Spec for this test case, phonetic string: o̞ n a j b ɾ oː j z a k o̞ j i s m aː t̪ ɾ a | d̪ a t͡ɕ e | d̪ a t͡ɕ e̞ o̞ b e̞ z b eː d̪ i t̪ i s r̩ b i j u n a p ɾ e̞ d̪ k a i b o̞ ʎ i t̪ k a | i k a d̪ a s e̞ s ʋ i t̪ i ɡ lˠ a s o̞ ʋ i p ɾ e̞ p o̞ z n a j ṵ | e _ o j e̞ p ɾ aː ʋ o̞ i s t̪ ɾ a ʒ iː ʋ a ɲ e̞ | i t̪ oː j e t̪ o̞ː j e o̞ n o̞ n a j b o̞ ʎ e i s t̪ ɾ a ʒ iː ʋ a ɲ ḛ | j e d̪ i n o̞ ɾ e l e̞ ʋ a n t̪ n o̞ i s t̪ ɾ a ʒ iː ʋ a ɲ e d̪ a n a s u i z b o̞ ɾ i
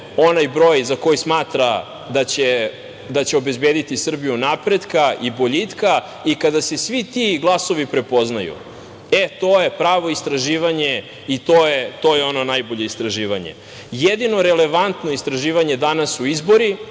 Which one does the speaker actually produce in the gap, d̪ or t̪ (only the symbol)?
t̪